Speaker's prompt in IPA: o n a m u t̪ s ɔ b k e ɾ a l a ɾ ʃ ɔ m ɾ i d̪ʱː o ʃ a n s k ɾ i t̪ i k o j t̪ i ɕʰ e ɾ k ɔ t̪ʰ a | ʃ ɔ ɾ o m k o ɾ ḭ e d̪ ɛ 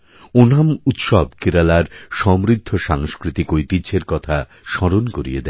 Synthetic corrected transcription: o n a m u t̪ ʃ ɔ b k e ɾ a l a ɾ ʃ ɔ m ɾ i d̪ʱː o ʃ a ŋ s k ɾ i t̪ i k o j t̪ i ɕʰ e ɾ k ɔ t̪ʰ a | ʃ ɔ ɾ o n k o ɾ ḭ e d̪ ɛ